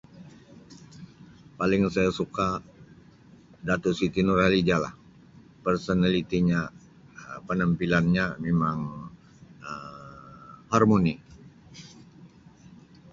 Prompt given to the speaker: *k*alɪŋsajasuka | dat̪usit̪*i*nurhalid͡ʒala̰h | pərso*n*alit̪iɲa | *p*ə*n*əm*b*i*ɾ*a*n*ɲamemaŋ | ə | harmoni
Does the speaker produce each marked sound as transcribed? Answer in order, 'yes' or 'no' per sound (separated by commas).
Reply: no, yes, yes, yes, yes, no, no, yes